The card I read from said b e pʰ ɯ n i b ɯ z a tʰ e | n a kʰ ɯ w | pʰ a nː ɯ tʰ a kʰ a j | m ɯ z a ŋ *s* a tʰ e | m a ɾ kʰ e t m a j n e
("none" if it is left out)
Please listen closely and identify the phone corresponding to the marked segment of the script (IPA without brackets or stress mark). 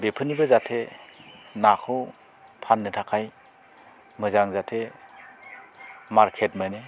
z